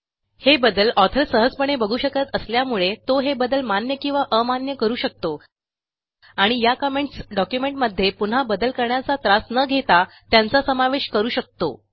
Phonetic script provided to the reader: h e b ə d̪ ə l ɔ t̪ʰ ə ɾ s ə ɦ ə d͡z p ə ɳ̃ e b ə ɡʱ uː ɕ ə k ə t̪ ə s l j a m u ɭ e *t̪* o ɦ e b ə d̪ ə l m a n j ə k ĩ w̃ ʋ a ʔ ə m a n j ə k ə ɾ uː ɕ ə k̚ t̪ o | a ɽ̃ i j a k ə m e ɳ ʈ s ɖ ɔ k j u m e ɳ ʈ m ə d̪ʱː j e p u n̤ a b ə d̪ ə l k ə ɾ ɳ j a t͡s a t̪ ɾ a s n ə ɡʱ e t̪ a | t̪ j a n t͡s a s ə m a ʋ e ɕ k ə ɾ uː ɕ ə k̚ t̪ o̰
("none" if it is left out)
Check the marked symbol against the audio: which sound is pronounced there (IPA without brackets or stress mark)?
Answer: t̪